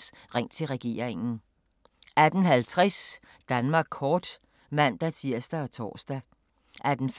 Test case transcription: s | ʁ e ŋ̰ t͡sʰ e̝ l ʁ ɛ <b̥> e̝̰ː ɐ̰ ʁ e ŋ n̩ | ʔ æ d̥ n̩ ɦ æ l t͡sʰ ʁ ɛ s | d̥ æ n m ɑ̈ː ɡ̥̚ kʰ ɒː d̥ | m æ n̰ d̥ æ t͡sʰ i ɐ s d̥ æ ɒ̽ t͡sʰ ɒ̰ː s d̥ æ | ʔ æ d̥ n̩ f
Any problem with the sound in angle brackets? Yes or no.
yes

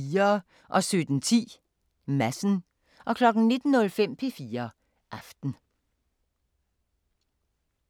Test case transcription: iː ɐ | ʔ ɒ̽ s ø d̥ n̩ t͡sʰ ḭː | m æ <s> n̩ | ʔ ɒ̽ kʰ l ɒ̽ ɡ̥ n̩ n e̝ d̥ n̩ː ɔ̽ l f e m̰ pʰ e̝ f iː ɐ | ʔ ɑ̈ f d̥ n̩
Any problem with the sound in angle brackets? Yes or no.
no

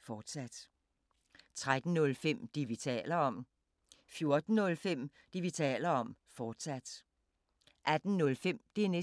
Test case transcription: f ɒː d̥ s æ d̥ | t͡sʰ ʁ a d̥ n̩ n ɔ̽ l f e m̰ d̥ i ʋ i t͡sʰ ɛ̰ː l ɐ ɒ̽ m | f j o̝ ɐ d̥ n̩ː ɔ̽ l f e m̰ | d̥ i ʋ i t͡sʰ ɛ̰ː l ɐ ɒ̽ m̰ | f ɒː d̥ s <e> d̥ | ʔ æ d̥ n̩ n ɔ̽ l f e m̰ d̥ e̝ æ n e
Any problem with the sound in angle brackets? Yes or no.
yes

